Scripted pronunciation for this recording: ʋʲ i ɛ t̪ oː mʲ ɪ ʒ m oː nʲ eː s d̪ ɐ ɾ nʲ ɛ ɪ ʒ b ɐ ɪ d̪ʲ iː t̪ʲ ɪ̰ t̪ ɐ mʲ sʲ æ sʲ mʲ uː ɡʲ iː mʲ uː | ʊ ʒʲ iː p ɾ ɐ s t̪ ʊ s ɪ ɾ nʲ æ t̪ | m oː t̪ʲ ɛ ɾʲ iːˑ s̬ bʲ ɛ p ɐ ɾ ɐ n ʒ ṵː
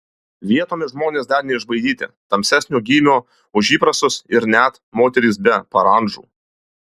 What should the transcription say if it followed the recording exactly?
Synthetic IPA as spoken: ʋʲ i ɛ t̪ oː mʲ ɪ ʒ m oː nʲ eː s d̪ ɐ ɾ nʲ ɛ ɪ ʒ b ɐ ɪ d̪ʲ iː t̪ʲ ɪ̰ t̪ ɐ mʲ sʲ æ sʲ nʲ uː ɡʲ iː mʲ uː | ʊ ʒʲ iː p ɾ ɐ s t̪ ʊ s ɪ ɾ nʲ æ t̪ | m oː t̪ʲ ɛ ɾʲ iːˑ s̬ bʲ ɛ p ɐ ɾ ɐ n ʒ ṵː